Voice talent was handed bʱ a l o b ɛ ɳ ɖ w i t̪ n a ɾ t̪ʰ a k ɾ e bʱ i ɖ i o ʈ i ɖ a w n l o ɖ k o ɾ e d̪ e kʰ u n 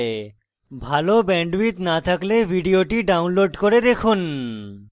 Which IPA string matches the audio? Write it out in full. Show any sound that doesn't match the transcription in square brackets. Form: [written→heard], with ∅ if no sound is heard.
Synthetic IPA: bʱ a l o b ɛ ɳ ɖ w i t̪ n a [ɾ→∅] t̪ʰ a k [ɾ→l] e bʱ i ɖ i o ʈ i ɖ a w n l o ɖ k o ɾ e d̪ e kʰ u n